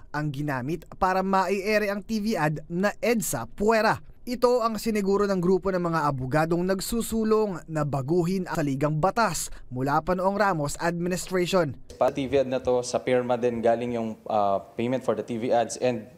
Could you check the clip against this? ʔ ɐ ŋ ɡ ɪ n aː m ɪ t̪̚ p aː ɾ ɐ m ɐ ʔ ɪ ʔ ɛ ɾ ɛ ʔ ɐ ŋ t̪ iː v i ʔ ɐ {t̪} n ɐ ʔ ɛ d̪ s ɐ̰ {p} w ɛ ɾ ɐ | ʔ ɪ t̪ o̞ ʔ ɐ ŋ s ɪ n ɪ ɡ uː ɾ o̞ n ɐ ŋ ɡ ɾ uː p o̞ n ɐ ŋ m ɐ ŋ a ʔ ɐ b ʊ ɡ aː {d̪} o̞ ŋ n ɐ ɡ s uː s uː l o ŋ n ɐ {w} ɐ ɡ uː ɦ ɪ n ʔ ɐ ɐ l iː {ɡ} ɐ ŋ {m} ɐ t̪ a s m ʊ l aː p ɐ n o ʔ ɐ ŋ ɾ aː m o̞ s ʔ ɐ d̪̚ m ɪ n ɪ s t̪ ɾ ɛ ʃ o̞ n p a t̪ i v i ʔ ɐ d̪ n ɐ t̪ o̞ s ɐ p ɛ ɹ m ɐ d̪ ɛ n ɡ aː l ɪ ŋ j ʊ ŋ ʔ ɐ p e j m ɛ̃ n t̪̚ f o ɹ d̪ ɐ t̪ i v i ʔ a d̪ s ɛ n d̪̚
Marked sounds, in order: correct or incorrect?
incorrect: d̪, correct, correct, incorrect: b, correct, incorrect: b

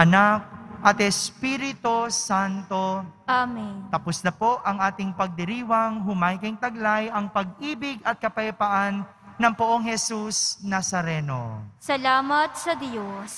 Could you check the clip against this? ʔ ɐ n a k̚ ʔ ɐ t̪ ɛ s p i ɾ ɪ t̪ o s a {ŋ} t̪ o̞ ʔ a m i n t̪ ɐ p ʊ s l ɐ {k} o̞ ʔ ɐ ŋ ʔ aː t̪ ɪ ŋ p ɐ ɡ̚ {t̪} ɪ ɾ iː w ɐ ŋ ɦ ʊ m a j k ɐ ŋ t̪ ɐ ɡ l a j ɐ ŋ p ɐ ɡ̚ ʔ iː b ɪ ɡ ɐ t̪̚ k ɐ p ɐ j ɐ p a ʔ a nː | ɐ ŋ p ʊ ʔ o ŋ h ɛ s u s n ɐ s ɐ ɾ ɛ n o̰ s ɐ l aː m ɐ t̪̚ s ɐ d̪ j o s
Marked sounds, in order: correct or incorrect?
incorrect: n, incorrect: p, incorrect: d̪

